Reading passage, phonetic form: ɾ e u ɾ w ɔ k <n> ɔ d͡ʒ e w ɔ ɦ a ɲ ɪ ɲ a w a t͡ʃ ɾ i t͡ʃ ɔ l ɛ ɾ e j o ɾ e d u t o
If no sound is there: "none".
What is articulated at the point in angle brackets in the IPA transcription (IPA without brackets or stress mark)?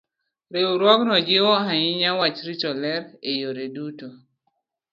n